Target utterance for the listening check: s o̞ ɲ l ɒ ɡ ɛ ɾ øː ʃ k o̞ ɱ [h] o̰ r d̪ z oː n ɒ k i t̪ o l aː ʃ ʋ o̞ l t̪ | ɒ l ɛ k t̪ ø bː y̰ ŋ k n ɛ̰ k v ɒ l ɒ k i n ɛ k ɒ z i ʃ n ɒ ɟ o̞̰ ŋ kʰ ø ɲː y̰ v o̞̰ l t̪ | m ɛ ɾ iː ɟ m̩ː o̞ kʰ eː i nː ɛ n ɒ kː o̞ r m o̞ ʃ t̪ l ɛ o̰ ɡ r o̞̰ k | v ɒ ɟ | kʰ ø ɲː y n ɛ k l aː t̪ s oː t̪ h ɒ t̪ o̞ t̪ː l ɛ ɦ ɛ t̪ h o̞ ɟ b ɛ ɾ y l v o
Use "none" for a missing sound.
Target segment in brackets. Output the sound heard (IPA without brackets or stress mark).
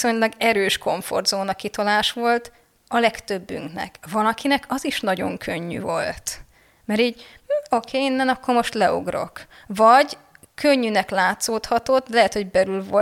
f